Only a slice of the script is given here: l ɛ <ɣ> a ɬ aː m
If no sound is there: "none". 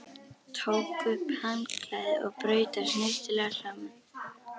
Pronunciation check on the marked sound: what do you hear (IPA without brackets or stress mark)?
ɣ